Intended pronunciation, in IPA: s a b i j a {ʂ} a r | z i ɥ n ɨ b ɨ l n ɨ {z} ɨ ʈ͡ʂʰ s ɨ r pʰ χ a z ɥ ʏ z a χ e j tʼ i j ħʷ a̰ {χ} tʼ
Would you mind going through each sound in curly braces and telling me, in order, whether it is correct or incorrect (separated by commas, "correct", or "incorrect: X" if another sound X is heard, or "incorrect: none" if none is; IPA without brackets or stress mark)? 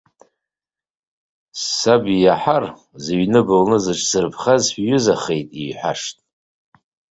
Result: incorrect: ħ, correct, incorrect: ʂ